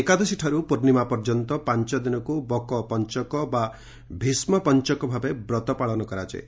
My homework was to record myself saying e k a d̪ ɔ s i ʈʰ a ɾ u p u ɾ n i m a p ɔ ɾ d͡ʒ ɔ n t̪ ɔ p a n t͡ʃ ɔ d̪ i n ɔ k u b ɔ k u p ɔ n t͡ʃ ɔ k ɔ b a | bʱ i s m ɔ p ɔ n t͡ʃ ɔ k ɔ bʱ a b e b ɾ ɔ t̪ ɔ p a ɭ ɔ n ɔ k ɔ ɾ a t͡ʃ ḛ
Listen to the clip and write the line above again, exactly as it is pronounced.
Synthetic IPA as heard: e k a d̪ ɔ s i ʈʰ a ɾ u p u ɾ n i m a p ɔ ɾ d͡ʒ ɔ n t̪ ɔ p a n t͡ʃ ɔ d̪ i n ɔ k u b ɔ k ɔ p ɔ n t͡ʃ ɔ k ɔ b a | bʱ i s m ɔ p ɔ n t͡ʃ ɔ k ɔ bʱ a b e b ɾ ɔ t̪ ɔ p a ɭ ɔ n ɔ k ɔ ɾ a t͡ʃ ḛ